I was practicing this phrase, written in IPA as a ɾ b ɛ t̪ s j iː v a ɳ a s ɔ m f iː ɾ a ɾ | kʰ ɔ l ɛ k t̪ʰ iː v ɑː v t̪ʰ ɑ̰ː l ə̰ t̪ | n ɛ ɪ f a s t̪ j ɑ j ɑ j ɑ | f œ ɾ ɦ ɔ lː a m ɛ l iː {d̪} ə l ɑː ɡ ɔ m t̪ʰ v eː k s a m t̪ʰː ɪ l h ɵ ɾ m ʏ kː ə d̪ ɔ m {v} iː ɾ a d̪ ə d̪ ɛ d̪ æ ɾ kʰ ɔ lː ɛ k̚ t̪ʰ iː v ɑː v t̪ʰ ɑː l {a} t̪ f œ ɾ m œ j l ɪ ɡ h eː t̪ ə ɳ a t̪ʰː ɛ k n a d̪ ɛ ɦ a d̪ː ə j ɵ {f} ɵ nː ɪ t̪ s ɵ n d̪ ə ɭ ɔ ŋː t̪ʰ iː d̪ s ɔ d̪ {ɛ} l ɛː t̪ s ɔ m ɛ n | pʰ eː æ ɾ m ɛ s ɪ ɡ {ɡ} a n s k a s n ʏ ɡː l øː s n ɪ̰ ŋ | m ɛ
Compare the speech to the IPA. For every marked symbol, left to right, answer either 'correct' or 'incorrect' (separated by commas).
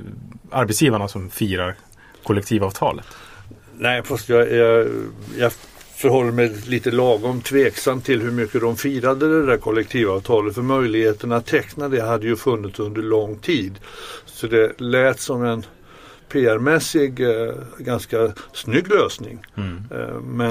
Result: incorrect, incorrect, incorrect, correct, correct, correct